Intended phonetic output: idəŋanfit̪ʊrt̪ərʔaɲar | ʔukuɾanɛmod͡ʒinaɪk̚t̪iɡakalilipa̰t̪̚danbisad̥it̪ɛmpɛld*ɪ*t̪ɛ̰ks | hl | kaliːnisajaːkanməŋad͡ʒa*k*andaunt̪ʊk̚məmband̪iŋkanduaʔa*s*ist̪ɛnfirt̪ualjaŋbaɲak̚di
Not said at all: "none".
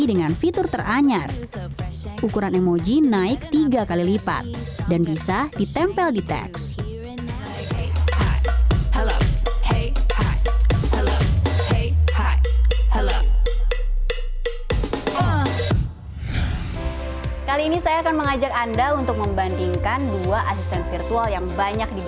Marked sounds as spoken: i, k, s

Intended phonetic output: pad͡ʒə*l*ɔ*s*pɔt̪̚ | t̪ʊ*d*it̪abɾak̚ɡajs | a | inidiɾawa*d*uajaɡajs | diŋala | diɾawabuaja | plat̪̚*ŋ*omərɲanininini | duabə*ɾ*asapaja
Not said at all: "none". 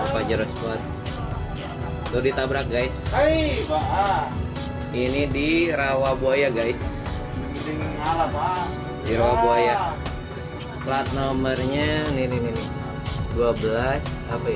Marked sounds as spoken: ɾ, s, d, b, n, l

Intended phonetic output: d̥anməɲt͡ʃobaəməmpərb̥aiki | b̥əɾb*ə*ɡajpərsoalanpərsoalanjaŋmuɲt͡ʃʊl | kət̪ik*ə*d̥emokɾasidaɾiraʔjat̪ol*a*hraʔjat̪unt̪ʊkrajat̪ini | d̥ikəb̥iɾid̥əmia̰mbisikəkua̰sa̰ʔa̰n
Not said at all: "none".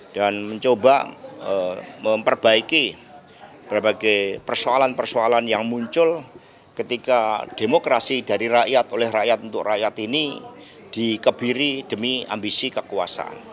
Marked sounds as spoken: a, a, ɛ

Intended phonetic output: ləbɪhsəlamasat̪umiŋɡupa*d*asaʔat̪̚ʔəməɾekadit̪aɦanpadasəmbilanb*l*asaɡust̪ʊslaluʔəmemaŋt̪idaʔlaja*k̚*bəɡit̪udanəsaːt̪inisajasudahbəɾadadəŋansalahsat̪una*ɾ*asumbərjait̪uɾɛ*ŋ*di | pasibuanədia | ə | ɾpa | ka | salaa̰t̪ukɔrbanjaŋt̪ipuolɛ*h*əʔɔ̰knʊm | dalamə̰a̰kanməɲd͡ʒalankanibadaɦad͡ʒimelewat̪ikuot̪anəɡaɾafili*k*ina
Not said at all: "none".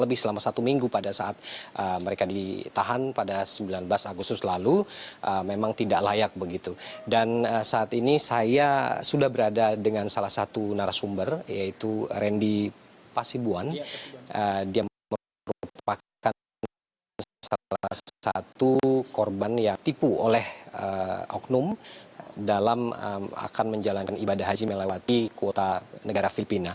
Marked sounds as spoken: d, l, k̚, ɾ, n, h, p

